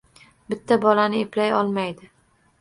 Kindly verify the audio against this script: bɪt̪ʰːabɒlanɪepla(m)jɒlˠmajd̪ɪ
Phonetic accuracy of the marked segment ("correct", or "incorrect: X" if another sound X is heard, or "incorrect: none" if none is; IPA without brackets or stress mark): incorrect: none